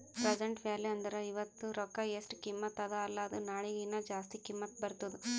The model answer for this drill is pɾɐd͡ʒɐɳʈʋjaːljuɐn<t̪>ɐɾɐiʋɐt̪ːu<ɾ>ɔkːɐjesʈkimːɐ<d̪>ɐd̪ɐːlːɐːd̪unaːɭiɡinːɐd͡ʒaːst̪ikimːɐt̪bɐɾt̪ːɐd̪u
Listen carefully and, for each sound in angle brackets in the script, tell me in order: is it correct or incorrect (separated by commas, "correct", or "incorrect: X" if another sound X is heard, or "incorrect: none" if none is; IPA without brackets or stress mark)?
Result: incorrect: d̪, correct, incorrect: t̪